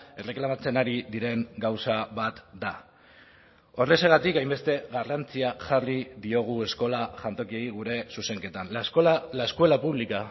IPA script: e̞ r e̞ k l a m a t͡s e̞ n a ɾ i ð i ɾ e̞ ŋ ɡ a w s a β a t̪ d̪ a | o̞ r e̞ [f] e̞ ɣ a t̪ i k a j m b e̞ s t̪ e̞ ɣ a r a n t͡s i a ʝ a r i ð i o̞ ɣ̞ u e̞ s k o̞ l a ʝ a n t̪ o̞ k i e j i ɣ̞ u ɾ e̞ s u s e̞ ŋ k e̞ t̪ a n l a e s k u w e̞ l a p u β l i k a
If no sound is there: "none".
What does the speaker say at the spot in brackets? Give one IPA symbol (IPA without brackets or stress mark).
s